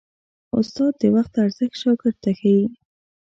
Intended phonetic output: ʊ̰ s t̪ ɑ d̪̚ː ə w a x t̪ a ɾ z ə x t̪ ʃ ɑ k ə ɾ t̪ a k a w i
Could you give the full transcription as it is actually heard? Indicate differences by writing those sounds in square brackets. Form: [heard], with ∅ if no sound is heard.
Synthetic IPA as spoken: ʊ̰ s t̪ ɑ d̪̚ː ə w a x t̪ a ɾ z ə x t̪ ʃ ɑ k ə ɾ t̪ a [x] a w i

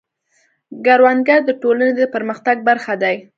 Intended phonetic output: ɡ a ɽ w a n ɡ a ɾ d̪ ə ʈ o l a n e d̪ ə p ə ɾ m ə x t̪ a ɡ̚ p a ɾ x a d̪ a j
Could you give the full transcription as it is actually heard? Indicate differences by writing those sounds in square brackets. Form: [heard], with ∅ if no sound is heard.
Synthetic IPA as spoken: ɡ a [ɾ] w a n ɡ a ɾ d̪ ə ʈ o l a n e d̪ ə p ə ɾ m ə x t̪ a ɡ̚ [b] a ɾ x a d̪ a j

